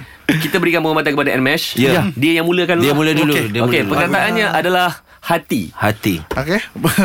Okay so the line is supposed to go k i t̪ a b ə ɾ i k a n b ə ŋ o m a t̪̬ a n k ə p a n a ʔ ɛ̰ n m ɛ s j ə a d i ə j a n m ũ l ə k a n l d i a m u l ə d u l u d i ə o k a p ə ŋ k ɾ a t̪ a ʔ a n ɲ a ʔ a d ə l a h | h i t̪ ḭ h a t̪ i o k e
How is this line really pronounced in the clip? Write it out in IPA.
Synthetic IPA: k i t̪ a b ə ɾ i k a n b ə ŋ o m a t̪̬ a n k ə p a d a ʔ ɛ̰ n m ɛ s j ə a d i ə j a ŋ m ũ l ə k a n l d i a m u l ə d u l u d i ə o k e p ə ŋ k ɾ a t̪ a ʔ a n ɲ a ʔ a d a l a h | h a t̪ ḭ h a t̪ i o k e